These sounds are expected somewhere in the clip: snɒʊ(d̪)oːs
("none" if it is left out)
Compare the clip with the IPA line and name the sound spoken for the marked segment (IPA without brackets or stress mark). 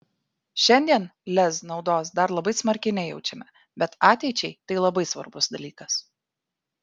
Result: d̪